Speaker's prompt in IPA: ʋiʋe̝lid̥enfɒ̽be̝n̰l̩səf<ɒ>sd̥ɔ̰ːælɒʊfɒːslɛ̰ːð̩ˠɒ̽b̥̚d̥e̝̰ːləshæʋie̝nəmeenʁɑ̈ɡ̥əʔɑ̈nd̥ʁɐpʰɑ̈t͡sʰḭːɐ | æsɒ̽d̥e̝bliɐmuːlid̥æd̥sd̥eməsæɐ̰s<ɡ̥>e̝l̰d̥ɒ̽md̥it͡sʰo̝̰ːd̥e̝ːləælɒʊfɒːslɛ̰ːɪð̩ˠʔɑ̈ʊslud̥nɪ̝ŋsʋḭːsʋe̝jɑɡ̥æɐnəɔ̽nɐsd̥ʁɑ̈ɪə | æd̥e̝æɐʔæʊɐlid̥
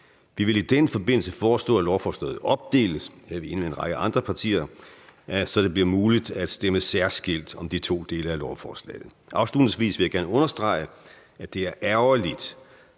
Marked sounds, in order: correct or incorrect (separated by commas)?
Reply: incorrect, correct